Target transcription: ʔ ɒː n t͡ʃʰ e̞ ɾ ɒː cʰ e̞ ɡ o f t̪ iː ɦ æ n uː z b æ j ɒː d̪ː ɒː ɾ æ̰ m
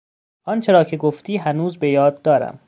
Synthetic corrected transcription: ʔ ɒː n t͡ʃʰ e̞ ɾ ɒː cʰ e̞ ɡ o f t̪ iː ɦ æ n uː z b e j ɒː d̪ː ɒː ɾ æ̰ m

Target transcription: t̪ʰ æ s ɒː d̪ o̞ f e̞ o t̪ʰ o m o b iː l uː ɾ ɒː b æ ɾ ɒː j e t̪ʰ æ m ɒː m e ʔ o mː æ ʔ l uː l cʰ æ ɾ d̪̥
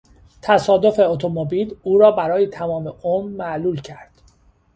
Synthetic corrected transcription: t̪ʰ æ s ɒː d̪ o̞ f e̞ o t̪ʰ o m o b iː l uː ɾ ɒː b æ ɾ ɒː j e t̪ʰ æ m ɒː m e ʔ o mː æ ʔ l uː l cʰ æ ɾ d̪̥

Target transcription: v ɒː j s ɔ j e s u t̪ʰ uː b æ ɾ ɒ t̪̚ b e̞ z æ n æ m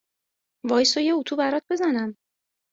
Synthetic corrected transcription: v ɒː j s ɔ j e u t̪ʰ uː b æ ɾ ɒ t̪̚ b e̞ z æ n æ m

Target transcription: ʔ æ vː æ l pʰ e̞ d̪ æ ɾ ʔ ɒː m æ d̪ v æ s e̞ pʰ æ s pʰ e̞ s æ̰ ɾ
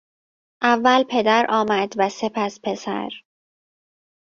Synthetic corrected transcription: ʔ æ vː æ l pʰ e̞ d̪ æ ɾ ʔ ɒː m æ d̪ v æ s e̞ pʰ æ s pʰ e̞ s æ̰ ɾ

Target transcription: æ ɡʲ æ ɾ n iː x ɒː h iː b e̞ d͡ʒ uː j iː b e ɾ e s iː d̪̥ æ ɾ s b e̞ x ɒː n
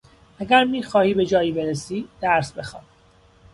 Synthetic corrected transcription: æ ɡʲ æ ɾ m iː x ɒː h iː b e̞ d͡ʒ ɒː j iː b e ɾ e s iː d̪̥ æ ɾ s b e̞ x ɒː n

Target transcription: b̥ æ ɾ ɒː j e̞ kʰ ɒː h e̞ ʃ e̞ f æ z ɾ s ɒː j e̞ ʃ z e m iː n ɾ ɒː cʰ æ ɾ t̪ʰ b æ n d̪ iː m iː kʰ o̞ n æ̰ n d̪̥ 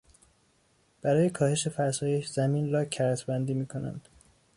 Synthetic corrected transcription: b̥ æ ɾ ɒː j e̞ kʰ ɒː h e̞ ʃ e̞ f æ ɾ s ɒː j e̞ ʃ z æ m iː n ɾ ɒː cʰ æ ɾ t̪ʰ b æ n d̪ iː m iː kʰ o̞ n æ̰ n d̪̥

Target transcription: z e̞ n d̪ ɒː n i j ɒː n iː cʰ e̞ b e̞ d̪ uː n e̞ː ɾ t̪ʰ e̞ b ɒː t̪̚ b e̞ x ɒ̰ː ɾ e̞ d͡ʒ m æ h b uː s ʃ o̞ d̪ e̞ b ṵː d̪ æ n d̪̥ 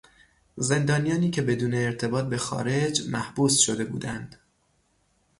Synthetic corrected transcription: z e̞ n d̪ ɒː n i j ɒː n iː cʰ e̞ b e̞ d̪ uː n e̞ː ɾ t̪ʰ e̞ b ɒː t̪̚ b e̞ x ɒ̰ː ɾ e̞ d͡ʒ m æ h b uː s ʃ o̞ d̪ e̞ b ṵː d̪ æ n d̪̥

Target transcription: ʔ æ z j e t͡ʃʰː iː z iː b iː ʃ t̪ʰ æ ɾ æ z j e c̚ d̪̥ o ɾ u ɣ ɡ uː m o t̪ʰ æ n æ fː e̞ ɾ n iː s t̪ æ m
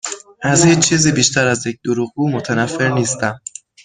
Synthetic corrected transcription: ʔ æ z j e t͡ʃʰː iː z iː b iː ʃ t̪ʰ æ ɾ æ z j e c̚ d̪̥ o ɾ u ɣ ɡ uː m o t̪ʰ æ n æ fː e̞ ɾ n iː s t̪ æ m

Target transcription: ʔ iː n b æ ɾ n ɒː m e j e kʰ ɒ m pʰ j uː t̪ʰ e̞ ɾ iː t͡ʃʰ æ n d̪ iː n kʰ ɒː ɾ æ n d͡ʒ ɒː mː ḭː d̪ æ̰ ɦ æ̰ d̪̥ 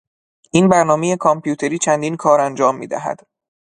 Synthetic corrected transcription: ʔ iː n b æ ɾ n ɒː m e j e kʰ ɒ m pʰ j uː t̪ʰ e̞ ɾ iː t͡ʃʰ æ n d̪ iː n kʰ ɒː ɾ æ n d͡ʒ ɒː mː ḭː d̪ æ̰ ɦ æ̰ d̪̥

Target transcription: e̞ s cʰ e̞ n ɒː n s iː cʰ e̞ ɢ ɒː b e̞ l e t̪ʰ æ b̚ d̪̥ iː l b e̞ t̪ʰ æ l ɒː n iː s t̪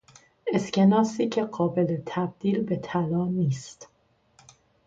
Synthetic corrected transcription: e̞ s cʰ e̞ n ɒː s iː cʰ e̞ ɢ ɒː b e̞ l e t̪ʰ æ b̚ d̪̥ iː l b e̞ t̪ʰ æ l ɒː n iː s t̪

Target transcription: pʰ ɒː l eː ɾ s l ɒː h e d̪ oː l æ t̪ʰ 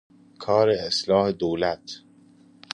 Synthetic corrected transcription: kʰ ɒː ɾ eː s l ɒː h e d̪ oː l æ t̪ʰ

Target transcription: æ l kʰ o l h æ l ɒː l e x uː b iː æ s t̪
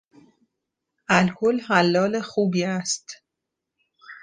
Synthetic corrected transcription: æ l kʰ o l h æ lː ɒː l e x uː b iː æ s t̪

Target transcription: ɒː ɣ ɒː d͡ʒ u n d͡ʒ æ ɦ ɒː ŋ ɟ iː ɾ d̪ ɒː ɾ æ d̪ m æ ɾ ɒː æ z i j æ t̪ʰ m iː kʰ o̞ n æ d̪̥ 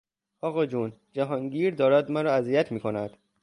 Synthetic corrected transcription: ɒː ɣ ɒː d͡ʒ u n d͡ʒ æ ɦ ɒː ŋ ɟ iː ɾ d̪ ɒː ɾ æ d̪ m æ ɾ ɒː æ z i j æ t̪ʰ m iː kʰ o̞ n æ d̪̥

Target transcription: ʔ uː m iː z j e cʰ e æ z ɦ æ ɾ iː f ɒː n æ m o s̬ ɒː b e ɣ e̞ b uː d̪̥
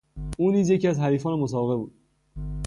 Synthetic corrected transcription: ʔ uː n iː z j e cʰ i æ z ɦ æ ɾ iː f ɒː n e m o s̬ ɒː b e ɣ e̞ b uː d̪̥

